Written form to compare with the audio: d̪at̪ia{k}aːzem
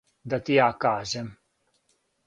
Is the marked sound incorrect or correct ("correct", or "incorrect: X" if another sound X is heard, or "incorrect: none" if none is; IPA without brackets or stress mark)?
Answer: correct